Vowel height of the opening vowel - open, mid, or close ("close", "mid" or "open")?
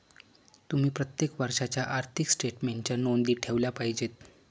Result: close